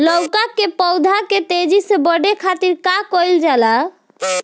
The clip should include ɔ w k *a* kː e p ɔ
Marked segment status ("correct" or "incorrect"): correct